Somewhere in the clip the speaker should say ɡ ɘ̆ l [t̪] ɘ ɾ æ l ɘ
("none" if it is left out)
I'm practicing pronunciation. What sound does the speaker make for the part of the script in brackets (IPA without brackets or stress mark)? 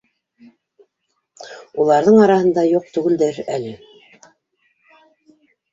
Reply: d̪